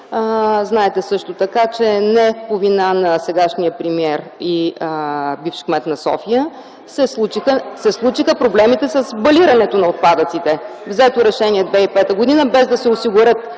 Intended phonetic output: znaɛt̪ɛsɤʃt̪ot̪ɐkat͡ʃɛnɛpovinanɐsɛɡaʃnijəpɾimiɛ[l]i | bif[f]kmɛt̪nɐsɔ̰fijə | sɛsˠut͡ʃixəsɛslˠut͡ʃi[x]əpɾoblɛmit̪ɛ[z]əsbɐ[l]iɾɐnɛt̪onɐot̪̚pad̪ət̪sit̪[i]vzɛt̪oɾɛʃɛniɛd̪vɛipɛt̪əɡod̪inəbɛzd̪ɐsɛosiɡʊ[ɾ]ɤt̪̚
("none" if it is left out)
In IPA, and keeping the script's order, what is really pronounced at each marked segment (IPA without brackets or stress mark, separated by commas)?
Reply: ɾ, ʃ, x, s, l, ɛ, ɾ